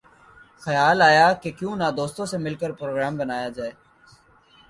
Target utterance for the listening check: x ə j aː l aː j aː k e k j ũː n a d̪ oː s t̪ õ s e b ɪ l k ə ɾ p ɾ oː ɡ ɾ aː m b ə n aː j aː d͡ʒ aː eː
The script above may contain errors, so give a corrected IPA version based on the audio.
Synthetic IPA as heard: x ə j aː l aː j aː k e k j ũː n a d̪ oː s t̪ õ s e m ɪ l k ə ɾ p ɾ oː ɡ ɾ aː m b ə n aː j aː d͡ʒ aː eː